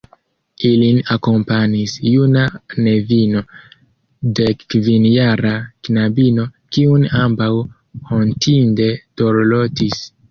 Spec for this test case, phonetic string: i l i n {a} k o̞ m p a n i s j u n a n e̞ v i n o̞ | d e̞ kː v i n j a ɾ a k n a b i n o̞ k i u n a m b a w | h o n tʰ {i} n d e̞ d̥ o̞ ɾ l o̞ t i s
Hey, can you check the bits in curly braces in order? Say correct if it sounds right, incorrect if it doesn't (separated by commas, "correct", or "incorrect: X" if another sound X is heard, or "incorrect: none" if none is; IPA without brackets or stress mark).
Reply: correct, correct